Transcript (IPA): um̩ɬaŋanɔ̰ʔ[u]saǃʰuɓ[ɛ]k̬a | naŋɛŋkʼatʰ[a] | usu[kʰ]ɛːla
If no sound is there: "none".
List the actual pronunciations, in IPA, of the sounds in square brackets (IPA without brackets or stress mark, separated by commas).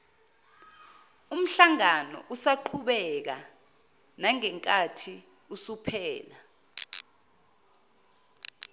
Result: u, ɛ, i, pʰ